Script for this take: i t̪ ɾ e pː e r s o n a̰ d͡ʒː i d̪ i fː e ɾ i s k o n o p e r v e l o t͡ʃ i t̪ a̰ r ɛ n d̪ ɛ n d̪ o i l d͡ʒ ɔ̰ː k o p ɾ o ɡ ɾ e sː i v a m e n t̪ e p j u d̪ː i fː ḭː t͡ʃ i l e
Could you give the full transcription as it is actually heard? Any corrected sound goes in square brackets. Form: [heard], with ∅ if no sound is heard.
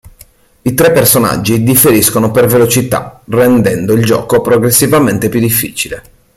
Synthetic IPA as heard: i t̪ ɾ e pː e r s o n a̰ d͡ʒː i d̪ i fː e ɾ i s k o n o p e r v e l o t͡ʃ i t̪ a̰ r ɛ n d̪ ɛ n d̪ o i l d͡ʒ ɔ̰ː k o p ɾ o ɡ ɾ e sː i v a m e n t̪ e p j u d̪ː i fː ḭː t͡ʃ i l e